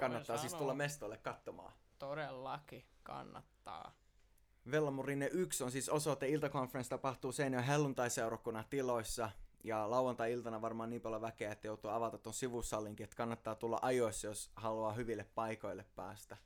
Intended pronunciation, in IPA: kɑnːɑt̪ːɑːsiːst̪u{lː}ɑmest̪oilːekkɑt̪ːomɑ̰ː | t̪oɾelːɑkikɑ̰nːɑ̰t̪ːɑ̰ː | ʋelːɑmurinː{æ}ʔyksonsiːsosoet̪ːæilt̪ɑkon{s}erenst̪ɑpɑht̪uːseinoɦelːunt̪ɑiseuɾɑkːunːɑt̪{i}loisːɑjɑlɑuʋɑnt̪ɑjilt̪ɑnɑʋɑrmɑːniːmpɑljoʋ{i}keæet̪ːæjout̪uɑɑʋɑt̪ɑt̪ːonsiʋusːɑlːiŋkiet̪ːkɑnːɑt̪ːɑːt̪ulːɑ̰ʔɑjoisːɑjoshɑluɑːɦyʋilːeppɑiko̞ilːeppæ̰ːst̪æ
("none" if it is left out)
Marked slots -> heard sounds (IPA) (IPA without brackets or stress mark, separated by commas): lː, e, f, i, æ